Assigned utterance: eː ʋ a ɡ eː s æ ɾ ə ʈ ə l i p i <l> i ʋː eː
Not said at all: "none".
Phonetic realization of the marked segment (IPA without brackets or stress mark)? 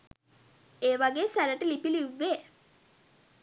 l